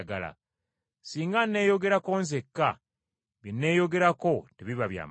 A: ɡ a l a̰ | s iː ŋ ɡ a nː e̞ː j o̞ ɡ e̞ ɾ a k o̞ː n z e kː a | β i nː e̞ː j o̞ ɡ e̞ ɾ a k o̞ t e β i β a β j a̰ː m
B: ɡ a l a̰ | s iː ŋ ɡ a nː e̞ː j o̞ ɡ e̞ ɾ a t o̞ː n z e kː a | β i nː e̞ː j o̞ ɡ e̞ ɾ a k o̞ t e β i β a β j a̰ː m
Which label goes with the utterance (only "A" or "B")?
A